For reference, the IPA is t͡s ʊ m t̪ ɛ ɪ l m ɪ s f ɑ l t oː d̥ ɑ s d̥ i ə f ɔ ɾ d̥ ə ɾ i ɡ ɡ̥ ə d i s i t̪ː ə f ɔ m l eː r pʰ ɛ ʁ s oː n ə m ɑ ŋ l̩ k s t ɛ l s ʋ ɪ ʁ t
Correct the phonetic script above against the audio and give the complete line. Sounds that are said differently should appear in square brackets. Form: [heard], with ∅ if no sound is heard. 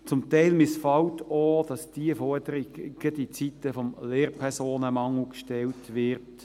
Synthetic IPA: t͡s ʊ m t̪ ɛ ɪ l m ɪ s f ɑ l t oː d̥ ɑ s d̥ i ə f ɔ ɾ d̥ ə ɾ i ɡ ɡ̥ ə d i [t͡s] i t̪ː ə f ɔ m l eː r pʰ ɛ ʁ s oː n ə m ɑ ŋ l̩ k [ʃ] t ɛ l [t] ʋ ɪ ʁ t